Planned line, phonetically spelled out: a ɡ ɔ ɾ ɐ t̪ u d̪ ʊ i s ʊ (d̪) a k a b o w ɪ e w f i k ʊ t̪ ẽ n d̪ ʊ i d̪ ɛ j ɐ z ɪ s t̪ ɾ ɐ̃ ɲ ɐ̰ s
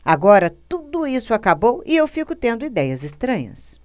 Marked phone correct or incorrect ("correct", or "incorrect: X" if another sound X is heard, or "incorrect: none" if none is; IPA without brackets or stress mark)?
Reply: incorrect: none